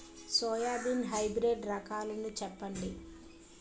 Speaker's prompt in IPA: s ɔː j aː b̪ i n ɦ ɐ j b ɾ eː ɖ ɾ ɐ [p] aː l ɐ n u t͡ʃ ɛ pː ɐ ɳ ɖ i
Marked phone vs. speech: incorrect: k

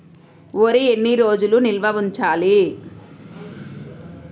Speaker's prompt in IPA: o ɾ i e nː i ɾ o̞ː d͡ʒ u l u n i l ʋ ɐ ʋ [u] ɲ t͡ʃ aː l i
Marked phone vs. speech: correct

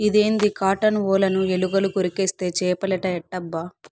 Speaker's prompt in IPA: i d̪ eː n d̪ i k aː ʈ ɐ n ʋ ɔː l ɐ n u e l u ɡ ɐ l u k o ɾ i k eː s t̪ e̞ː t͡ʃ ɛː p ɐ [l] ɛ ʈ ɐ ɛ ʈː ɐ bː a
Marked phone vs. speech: correct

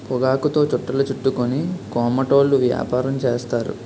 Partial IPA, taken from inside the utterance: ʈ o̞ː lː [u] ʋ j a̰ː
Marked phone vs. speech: correct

